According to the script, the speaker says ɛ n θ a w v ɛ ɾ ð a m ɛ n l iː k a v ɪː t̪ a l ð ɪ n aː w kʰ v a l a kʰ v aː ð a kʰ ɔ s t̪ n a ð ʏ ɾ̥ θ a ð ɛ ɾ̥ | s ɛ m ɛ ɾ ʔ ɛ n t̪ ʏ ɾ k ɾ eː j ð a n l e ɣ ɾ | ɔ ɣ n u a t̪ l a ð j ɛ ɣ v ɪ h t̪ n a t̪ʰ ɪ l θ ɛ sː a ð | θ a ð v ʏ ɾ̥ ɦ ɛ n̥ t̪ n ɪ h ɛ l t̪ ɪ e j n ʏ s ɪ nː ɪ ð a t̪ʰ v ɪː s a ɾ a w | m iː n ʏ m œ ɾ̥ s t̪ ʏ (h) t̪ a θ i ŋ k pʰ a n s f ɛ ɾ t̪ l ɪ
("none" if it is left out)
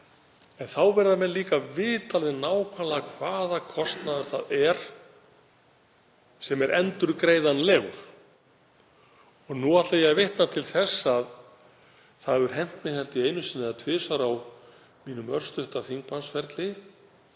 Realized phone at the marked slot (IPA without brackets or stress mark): h